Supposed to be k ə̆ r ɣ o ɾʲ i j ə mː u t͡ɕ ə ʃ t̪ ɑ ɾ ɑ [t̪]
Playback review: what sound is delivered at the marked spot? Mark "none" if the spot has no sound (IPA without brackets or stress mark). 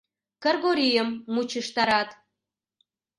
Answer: t̪